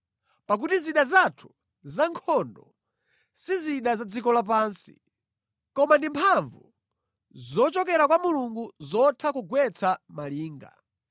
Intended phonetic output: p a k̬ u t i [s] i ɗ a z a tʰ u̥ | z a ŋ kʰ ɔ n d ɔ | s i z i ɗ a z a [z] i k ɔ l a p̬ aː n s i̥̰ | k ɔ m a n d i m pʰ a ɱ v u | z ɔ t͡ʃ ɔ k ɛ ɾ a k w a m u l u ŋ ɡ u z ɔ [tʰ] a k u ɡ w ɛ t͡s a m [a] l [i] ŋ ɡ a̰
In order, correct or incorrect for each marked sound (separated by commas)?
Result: incorrect, incorrect, correct, correct, incorrect